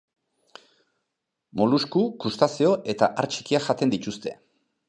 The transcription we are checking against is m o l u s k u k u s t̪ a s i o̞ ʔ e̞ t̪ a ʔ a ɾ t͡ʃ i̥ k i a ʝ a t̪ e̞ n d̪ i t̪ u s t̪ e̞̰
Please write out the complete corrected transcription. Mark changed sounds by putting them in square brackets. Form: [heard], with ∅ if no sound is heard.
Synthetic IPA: m o l u s k u k u s t̪ a s i o̞ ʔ e̞ t̪ a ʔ a ɾ t͡ʃ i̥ k i a ʝ a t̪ e̞ n d̪ i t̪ u s t̪ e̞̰